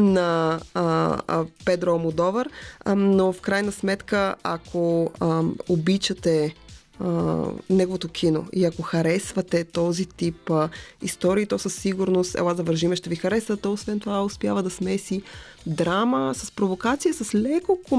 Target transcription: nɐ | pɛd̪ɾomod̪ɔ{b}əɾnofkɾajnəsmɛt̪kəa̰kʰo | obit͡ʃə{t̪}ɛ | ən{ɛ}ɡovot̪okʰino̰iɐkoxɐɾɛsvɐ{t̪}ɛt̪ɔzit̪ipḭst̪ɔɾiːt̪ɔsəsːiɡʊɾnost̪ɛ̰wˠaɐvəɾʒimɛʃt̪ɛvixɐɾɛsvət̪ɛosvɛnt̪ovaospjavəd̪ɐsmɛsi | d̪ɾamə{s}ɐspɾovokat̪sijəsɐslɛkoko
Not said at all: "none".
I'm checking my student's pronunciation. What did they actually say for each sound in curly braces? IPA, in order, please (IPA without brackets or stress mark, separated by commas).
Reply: v, t̪, ɛ, t̪, s